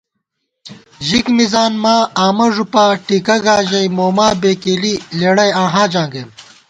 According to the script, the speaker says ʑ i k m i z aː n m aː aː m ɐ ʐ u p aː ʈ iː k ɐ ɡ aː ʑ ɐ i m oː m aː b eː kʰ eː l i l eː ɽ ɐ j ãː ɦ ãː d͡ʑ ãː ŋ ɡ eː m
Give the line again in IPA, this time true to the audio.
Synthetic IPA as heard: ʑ i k m i z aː n m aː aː m ɐ ʐ u p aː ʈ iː k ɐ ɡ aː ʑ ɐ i m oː m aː b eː k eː l i l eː ɽ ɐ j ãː ɦ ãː d͡ʑ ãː ŋ ɡ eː m